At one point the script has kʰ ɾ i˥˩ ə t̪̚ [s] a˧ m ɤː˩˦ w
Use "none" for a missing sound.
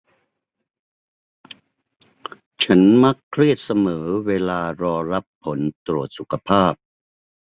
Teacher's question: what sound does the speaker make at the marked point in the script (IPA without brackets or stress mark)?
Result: s